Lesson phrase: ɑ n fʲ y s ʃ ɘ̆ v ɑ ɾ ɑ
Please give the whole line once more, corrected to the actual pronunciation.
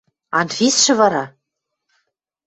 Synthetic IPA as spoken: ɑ n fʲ i s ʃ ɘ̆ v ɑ ɾ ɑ